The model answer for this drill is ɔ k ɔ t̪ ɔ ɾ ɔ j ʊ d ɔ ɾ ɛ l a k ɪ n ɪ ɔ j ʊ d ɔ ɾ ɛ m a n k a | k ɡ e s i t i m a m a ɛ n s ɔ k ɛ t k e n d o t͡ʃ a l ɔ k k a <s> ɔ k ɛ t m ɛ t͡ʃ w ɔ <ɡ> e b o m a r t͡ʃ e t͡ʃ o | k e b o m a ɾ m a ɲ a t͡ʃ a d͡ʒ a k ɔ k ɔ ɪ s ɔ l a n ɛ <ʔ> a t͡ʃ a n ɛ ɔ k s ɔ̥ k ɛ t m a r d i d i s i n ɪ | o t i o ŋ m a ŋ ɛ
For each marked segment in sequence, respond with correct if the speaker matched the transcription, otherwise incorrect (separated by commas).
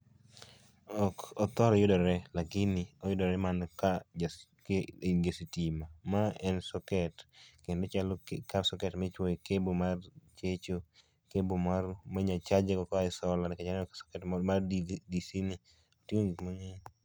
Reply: correct, incorrect, incorrect